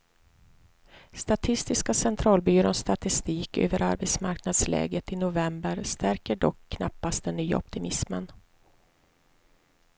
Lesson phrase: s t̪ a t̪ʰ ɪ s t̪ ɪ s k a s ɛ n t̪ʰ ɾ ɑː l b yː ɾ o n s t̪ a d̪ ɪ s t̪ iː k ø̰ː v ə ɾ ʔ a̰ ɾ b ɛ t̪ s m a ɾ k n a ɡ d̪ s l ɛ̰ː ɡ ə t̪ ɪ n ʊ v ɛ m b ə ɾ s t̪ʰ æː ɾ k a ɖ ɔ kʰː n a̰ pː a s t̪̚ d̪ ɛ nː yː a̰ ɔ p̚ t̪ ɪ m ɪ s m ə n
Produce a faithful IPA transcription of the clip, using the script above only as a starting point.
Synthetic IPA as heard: s t̪ a t̪ʰ ɪ s t̪ ɪ s k a s ɛ n t̪ʰ ɾ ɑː l b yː ɾ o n s t̪ a t̪ ɪ s t̪ iː k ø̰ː v ə ɾ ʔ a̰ ɾ b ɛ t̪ s m a ɾ k n a d̪ s l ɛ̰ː ɡ ə t̪ ɪ n ʊ v ɛ m b ə ɾ s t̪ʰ æ ɾ k ə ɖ ɔ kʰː n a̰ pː a s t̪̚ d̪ ɛ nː yː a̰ ɔ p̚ t̪ ɪ m ɪ s m ə n